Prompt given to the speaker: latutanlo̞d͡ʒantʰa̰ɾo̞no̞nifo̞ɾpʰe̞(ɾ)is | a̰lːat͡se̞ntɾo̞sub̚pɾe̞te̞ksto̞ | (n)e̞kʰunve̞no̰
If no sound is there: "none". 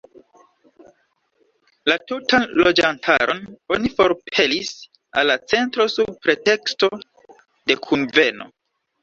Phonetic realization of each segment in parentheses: l, d

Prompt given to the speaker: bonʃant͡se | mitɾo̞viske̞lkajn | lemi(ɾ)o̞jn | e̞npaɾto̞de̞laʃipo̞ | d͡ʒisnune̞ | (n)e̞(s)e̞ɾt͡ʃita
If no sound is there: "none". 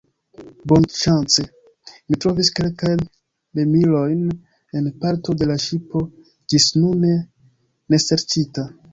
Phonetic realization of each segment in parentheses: l, n, s

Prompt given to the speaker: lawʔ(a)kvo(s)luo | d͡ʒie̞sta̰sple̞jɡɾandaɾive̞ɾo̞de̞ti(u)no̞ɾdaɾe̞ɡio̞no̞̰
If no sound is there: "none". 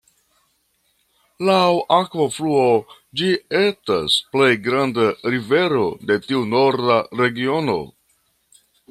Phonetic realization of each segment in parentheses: a, f, u

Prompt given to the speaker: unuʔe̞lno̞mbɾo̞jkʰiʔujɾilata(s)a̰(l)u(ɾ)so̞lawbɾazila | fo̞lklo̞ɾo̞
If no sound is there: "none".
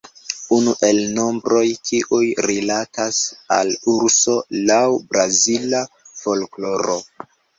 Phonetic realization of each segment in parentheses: s, l, ɾ

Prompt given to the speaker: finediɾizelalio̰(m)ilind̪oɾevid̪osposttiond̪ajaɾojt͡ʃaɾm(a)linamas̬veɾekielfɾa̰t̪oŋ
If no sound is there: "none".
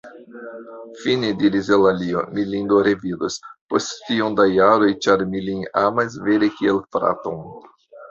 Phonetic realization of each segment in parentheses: m, i

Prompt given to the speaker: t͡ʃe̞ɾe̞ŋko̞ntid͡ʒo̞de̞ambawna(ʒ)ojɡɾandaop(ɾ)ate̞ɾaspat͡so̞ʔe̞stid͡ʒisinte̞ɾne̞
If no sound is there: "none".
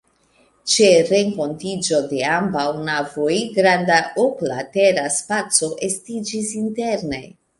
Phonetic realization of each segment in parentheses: v, l

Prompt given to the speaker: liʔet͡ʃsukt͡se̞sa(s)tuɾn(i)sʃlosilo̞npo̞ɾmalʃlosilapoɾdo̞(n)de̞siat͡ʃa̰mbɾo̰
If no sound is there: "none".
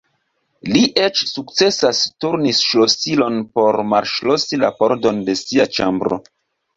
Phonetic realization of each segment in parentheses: s, i, n

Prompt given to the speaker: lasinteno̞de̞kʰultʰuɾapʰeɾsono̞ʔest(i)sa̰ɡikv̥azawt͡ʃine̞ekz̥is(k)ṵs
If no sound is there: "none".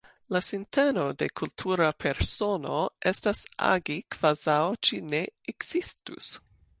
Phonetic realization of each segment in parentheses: a, t

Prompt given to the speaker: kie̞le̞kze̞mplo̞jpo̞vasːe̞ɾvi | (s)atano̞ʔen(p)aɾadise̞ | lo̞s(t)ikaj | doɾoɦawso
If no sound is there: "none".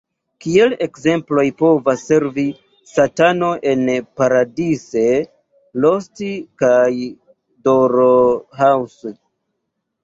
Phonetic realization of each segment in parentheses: s, p, t

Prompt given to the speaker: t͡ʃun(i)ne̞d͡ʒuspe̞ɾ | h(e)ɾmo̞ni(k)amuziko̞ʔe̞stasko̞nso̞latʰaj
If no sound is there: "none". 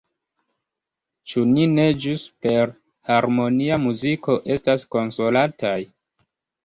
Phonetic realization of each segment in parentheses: i, a, none

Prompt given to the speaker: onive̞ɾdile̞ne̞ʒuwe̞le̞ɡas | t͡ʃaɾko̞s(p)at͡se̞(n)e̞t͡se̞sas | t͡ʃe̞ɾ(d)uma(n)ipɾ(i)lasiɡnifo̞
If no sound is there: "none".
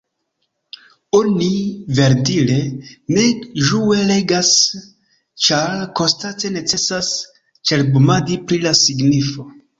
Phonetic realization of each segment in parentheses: t, n, b, d, i

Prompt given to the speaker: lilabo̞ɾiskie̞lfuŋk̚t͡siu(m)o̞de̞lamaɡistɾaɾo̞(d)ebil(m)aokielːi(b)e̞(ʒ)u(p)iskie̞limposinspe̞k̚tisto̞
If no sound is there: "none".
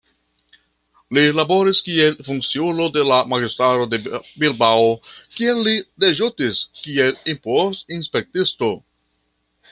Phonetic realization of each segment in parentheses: n, d, b, d, ʒ, t

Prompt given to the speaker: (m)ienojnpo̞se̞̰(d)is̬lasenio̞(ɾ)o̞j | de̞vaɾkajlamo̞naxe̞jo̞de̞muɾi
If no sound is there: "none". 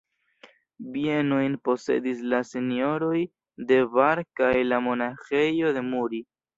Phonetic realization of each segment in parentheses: b, d, ɾ

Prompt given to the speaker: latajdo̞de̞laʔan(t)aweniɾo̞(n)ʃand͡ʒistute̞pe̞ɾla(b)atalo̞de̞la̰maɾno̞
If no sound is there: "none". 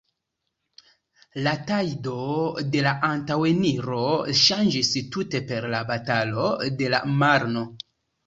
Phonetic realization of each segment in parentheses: t, none, b

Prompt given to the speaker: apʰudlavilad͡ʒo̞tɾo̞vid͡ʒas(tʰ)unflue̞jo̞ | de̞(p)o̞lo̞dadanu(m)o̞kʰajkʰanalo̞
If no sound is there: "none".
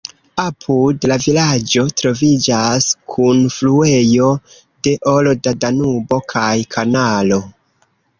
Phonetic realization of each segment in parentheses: kʰ, ʔ, b

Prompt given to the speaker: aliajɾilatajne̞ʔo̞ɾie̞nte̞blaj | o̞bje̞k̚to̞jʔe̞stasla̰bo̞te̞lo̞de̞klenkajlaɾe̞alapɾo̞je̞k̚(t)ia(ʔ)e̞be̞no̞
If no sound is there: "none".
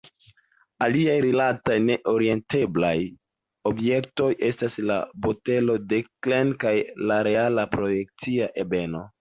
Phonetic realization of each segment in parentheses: t͡s, ʔ

